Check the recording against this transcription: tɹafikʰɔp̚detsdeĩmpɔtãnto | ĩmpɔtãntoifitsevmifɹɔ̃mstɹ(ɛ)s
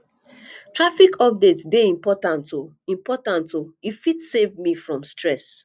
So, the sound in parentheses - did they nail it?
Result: yes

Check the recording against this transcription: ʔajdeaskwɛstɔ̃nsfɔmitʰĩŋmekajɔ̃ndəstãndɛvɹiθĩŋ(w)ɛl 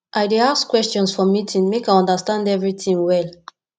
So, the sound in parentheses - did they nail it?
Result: yes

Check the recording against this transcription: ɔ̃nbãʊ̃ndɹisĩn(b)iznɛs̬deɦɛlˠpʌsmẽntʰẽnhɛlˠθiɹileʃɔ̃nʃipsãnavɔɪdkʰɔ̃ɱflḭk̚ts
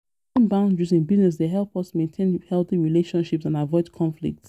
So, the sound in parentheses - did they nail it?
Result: yes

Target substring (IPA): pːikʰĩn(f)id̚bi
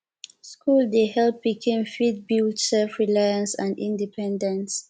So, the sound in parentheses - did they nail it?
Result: yes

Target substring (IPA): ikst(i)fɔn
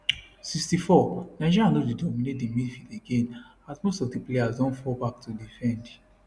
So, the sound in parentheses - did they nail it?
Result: yes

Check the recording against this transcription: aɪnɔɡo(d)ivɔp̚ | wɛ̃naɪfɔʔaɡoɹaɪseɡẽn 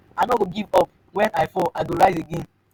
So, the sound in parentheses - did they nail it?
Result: no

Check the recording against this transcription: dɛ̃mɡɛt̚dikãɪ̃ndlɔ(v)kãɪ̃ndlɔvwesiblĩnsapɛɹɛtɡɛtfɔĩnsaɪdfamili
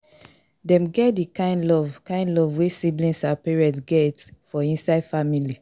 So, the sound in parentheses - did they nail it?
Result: yes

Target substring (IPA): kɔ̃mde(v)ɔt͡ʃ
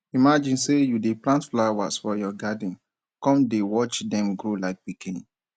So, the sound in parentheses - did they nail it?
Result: no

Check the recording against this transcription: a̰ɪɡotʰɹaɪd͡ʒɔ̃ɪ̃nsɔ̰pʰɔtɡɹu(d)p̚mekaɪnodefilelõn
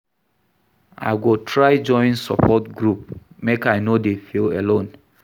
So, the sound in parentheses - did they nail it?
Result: no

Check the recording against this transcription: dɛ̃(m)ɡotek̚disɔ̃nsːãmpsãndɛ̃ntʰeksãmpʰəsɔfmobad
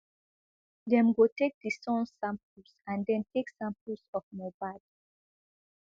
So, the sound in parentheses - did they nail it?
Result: yes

